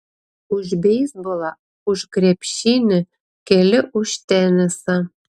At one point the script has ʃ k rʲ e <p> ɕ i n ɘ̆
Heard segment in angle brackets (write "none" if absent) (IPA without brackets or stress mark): p